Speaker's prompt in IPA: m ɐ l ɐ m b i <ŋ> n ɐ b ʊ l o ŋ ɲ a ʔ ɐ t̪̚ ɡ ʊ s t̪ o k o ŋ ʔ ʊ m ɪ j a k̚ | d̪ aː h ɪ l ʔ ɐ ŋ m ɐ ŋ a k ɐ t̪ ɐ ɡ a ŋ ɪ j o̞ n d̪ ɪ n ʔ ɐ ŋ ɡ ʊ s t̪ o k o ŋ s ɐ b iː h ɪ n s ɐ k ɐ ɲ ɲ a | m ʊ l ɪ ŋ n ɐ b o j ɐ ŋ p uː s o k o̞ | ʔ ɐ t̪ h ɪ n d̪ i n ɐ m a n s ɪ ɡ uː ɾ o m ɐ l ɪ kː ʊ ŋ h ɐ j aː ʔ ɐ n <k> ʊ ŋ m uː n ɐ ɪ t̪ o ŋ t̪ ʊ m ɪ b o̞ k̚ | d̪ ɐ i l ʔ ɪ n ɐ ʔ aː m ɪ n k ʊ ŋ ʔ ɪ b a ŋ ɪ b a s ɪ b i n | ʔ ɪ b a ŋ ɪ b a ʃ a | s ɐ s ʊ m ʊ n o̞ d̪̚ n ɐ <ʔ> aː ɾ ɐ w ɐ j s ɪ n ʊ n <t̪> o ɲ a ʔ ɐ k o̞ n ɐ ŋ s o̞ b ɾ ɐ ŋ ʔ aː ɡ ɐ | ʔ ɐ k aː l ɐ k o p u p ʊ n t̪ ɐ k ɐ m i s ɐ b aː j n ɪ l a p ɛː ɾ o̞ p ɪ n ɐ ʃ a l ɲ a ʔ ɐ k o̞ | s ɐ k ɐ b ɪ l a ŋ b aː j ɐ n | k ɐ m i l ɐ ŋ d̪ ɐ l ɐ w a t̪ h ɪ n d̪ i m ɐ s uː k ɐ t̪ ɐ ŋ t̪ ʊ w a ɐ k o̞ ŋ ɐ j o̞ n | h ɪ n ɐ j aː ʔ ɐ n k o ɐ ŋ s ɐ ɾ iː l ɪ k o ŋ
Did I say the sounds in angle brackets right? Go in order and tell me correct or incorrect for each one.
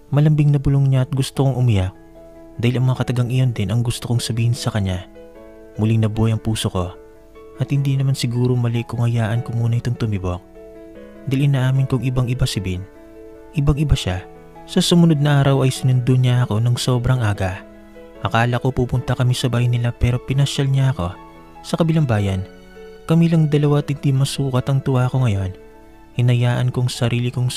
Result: correct, correct, correct, incorrect

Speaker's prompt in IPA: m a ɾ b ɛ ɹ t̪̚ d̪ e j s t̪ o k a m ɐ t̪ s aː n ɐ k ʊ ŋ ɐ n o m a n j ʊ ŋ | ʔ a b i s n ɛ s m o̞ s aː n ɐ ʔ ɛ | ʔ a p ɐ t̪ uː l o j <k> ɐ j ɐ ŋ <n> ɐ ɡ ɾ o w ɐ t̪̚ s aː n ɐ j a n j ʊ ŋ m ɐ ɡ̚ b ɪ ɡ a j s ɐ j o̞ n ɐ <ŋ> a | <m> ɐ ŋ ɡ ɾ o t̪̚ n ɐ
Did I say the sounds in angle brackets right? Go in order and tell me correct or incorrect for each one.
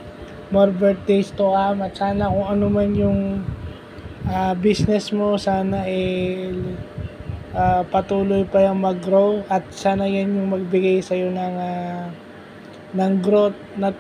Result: incorrect, incorrect, correct, incorrect

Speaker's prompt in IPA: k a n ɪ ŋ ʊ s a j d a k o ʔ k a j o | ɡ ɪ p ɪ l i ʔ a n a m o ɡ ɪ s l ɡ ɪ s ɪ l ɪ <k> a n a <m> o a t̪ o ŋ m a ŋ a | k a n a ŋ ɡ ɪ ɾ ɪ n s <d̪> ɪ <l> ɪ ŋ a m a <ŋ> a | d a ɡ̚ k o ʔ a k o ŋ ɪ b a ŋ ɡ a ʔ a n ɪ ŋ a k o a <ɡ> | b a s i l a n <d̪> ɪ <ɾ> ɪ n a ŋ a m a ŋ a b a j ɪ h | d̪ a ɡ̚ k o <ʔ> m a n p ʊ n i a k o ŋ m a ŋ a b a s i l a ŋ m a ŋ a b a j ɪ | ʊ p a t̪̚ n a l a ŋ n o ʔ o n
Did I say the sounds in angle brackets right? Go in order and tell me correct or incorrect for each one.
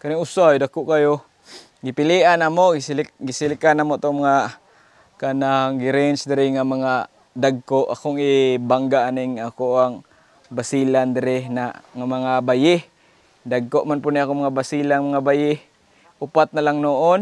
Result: correct, correct, correct, incorrect, correct, incorrect, correct, correct, correct

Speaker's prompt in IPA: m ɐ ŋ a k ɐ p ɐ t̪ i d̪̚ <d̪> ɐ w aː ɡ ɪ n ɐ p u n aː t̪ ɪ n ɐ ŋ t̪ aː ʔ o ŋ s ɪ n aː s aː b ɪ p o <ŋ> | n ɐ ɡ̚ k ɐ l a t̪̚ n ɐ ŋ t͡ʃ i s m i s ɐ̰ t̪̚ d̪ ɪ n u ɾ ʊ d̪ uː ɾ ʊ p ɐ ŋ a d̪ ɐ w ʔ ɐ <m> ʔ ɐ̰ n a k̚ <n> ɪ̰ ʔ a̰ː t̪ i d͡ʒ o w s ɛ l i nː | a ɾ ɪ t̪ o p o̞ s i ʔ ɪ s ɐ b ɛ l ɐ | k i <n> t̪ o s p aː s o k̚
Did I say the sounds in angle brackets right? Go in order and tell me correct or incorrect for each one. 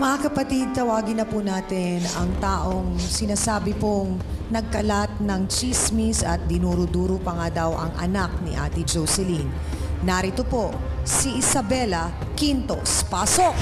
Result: incorrect, correct, incorrect, correct, correct

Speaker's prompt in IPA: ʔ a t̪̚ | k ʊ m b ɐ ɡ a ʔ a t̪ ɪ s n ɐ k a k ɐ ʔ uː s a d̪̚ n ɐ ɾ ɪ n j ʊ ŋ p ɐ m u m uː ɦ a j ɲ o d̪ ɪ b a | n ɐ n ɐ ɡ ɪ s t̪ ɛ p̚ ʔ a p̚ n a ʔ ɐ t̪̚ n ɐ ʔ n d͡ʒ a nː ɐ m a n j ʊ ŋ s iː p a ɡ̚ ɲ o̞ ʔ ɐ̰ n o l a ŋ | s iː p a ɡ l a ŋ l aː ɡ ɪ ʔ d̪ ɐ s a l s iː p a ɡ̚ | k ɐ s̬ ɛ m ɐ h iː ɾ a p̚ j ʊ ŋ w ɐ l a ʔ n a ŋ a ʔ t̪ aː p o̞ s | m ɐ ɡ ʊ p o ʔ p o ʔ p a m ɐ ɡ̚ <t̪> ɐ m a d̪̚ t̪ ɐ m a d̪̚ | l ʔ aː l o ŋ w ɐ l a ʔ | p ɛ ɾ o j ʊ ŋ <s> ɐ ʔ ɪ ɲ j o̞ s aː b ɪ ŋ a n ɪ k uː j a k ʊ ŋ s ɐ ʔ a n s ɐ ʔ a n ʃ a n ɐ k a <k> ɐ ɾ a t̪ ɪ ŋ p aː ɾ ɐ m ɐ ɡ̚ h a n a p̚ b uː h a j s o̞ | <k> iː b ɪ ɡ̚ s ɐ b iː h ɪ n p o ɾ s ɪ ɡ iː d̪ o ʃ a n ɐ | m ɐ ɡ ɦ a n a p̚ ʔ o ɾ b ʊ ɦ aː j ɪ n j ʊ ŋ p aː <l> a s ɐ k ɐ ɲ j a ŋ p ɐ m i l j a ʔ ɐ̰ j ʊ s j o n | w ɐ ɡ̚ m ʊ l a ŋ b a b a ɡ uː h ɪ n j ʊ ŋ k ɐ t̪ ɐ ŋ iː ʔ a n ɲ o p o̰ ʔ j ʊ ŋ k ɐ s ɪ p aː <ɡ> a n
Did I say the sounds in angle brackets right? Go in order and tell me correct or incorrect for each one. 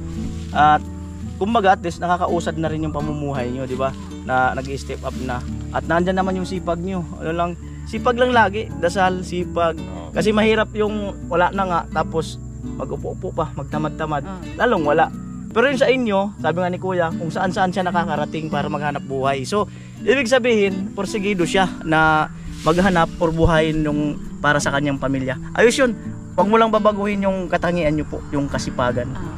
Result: correct, correct, correct, incorrect, incorrect, correct

